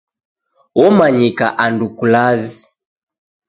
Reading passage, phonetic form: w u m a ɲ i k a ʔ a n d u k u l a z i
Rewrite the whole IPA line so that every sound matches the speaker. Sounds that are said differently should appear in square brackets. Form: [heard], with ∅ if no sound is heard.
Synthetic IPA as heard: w [ɔ] m a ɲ i k a ʔ a n d u k u l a z i

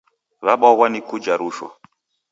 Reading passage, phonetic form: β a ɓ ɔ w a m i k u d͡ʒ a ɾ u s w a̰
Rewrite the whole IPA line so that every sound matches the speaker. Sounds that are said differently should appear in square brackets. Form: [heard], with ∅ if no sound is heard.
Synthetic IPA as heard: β a ɓ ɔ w a [n] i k u d͡ʒ a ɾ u [ʃ] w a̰

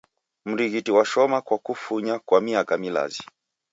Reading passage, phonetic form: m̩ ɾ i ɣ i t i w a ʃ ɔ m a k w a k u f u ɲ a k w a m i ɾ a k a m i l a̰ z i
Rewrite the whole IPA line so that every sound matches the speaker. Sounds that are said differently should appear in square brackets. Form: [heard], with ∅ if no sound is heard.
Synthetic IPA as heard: m̩ ɾ i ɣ i t i w a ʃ ɔ m a k w a k u f u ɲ a k w a m i [∅] a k a m i l a̰ z i

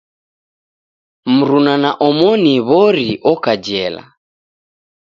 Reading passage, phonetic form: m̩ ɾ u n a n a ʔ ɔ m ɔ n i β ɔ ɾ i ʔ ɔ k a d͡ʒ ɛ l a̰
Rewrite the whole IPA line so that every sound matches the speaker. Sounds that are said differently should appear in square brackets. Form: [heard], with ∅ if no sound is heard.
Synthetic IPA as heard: m̩ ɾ u n a n a ʔ ɔ m ɔ n i β ɔ ɾ i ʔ ɔ k a d͡ʒ ɛ l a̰

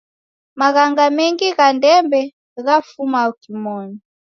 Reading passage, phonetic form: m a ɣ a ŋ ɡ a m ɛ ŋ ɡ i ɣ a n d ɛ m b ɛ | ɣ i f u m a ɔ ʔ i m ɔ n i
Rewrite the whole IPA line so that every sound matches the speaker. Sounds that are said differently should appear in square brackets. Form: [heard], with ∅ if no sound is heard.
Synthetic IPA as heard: m a ɣ a ŋ ɡ a m ɛ ŋ ɡ i ɣ a n d ɛ m b ɛ | ɣ [a] f u m a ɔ [k] i m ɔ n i

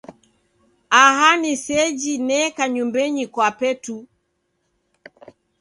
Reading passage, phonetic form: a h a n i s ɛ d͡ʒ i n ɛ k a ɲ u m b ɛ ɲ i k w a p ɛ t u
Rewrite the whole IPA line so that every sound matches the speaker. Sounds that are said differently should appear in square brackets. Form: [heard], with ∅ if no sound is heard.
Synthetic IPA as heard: a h a n i s ɛ d͡ʒ i n ɛ k a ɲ u m b ɛ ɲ i k w a p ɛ t u

